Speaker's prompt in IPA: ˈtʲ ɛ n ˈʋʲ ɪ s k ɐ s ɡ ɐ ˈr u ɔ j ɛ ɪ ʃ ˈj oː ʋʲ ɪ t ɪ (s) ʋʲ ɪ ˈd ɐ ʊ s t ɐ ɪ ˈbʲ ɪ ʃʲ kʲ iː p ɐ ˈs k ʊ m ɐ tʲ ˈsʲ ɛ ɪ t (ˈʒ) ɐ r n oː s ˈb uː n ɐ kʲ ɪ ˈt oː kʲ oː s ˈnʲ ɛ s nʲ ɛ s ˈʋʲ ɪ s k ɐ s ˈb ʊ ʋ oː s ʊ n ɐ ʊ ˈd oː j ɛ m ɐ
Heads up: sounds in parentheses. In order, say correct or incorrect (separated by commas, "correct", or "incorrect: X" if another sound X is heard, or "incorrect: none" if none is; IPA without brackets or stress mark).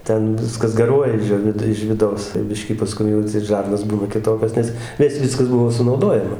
incorrect: ʃ, correct